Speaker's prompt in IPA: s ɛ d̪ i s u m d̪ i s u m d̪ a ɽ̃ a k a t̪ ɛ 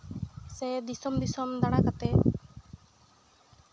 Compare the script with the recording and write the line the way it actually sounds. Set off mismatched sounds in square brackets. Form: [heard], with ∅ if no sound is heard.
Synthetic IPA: s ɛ d̪ i s [ɔ] m d̪ i s [ɔ] m d̪ a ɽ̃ a k a t̪ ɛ